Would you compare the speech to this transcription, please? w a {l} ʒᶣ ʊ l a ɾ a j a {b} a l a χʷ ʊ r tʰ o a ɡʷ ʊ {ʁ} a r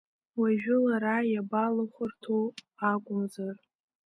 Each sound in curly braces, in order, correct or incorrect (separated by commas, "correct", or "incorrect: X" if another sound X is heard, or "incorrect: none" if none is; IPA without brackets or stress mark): incorrect: none, correct, incorrect: z